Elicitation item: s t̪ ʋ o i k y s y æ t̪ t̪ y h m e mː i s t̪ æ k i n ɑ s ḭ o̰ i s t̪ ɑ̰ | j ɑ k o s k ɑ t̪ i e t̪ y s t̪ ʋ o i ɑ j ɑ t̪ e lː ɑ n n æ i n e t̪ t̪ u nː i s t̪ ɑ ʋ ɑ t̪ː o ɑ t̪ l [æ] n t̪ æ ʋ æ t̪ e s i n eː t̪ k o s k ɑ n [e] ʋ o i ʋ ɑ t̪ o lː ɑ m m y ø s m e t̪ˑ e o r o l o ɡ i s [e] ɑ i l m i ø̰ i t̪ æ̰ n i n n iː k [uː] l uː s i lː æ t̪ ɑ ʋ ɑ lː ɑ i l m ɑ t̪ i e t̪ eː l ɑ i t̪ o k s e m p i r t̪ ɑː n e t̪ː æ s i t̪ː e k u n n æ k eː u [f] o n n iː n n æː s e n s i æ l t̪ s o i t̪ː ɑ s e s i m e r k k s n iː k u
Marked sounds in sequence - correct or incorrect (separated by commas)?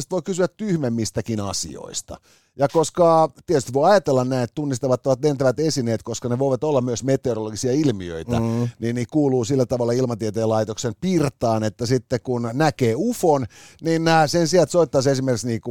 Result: incorrect, correct, incorrect, correct, correct